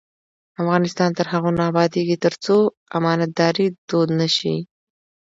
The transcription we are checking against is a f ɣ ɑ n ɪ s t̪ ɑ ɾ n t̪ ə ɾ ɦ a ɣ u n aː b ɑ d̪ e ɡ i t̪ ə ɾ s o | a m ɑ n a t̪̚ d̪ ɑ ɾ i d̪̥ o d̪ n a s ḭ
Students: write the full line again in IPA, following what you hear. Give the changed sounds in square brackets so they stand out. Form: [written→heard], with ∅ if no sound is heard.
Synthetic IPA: a f ɣ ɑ n ɪ s t̪ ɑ [ɾ→∅] n t̪ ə ɾ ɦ a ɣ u n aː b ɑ d̪ e ɡ i t̪ ə ɾ [s→t͡s] o | a m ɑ n a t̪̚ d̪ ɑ ɾ i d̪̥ o d̪ n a [s→ʃ] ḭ